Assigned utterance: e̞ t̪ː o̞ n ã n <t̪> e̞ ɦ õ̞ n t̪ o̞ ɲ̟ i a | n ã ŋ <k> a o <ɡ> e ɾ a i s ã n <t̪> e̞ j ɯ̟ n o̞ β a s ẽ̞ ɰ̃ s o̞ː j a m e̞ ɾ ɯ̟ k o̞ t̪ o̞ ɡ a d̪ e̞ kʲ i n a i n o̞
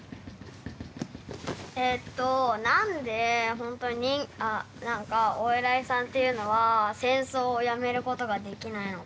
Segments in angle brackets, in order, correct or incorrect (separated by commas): incorrect, correct, incorrect, correct